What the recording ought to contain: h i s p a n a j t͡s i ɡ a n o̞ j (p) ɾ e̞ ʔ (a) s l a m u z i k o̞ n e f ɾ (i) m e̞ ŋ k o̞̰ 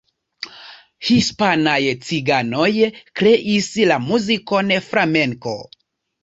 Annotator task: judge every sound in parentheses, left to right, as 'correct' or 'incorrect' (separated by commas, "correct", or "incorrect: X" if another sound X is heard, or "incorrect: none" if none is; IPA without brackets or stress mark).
incorrect: k, incorrect: i, incorrect: a